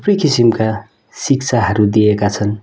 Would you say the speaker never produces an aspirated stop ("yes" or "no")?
no